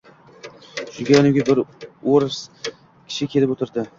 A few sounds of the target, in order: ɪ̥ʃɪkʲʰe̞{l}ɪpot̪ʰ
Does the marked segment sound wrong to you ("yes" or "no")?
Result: no